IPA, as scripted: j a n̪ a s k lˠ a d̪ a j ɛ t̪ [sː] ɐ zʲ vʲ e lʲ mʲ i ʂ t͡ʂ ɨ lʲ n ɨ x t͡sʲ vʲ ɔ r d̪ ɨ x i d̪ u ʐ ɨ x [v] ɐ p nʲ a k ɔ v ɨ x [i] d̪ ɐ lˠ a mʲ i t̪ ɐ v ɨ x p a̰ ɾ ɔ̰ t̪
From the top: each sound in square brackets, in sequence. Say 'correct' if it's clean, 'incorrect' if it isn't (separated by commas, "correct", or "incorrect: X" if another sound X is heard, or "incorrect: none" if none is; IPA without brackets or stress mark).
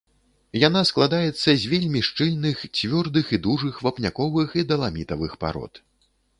correct, correct, correct